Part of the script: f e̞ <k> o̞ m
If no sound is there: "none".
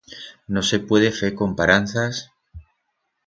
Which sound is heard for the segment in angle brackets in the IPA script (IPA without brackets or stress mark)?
k